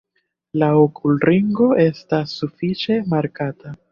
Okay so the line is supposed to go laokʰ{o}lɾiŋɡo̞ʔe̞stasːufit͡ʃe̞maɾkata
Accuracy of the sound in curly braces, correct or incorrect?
incorrect